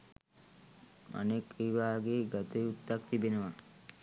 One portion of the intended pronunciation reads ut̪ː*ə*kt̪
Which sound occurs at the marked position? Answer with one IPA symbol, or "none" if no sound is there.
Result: a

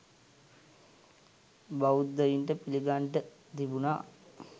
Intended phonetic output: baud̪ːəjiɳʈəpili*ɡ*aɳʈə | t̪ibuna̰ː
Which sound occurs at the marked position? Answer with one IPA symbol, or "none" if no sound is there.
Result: ɡ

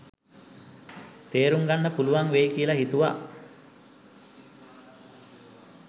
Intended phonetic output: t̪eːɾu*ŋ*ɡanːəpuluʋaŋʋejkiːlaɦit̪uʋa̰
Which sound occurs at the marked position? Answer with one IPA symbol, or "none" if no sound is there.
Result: ŋ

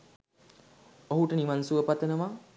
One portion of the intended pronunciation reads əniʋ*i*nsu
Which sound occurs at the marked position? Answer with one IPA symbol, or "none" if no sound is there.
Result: a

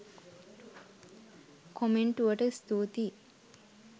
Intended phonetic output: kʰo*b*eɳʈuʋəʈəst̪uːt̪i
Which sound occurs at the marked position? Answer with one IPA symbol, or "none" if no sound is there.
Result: m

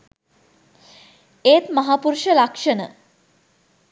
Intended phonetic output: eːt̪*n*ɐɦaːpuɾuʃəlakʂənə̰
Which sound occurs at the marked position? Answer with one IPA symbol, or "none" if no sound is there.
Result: m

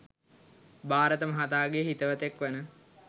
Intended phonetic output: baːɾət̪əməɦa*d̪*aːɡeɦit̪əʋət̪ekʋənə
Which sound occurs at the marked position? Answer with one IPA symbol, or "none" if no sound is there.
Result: t̪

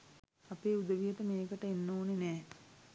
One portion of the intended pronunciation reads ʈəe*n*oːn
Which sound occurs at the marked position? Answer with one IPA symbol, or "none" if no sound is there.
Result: nː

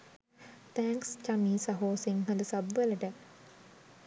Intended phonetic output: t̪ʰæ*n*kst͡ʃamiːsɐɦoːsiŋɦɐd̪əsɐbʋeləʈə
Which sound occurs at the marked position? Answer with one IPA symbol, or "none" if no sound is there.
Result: ŋ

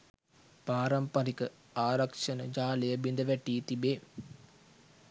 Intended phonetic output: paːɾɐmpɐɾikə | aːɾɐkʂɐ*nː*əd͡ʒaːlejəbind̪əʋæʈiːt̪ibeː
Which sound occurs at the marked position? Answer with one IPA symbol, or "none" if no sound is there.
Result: n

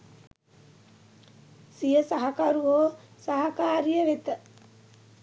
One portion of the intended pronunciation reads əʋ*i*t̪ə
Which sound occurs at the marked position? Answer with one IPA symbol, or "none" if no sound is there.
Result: e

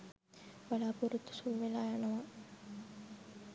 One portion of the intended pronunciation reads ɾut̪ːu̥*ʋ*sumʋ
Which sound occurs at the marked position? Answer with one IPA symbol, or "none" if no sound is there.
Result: none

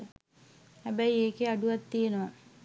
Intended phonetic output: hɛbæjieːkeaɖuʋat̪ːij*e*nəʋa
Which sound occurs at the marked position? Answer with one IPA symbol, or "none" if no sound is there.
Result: e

